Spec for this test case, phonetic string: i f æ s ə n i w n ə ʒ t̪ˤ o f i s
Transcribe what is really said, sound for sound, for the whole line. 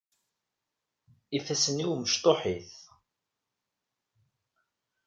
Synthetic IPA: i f æ s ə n i w m ə ʃ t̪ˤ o ħ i θ